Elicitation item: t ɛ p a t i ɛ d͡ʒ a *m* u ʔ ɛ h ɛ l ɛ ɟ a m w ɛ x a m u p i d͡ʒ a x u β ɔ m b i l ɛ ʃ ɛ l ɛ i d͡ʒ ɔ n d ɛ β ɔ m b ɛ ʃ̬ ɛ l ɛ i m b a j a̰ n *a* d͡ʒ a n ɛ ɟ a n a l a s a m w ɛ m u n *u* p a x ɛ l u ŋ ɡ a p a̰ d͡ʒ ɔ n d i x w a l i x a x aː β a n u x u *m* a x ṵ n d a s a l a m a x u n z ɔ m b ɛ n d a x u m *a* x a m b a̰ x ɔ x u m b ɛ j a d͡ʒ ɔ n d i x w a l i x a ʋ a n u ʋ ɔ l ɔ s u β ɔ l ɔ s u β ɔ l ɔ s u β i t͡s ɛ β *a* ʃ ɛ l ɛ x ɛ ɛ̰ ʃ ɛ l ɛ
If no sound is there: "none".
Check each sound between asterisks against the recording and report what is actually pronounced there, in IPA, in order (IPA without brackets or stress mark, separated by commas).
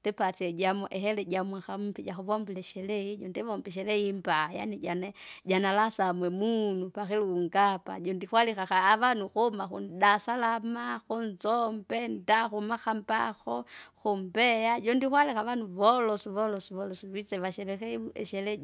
m, i, u, m, a, a